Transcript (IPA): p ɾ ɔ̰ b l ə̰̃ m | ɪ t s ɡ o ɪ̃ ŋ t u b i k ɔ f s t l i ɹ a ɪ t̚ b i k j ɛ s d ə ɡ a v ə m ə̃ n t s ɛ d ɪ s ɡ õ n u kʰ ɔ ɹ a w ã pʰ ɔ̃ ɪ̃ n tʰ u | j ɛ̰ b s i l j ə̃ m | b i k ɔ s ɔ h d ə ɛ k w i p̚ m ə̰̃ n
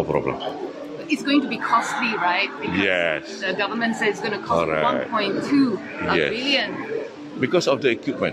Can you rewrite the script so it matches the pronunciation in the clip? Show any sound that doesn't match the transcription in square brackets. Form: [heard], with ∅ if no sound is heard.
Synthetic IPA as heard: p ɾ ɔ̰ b l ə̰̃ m | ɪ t s ɡ o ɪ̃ ŋ t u b i [kʰ] ɔ [∅] s t l i ɹ a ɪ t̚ b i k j ɛ s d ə ɡ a v ə m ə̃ n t s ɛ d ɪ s ɡ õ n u kʰ ɔ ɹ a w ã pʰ ɔ̃ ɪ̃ n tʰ u | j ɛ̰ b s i l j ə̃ [n] | b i k ɔ s ɔ [f] d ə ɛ k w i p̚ m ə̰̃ n